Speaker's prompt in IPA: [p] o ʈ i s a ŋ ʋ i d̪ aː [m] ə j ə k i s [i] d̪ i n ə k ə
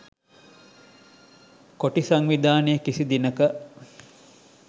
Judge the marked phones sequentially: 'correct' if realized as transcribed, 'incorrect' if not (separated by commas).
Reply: incorrect, incorrect, correct